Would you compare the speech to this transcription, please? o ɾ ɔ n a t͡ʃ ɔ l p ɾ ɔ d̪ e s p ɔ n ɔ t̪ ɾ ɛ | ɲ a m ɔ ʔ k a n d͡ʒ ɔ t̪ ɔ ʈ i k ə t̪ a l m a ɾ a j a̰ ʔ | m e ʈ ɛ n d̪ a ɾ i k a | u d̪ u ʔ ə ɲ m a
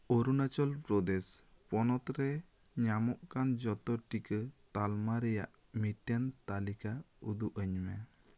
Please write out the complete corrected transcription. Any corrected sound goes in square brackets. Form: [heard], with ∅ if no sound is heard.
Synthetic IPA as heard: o ɾ [u] n a t͡ʃ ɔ l p ɾ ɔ d̪ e s p ɔ n ɔ t̪ ɾ ɛ | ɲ a m ɔ ʔ k a n d͡ʒ ɔ t̪ ɔ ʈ i k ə t̪ a l m a ɾ [ɛ] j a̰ ʔ | m [i] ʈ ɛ n [t̪] a [l] i k a | u d̪ u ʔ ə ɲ m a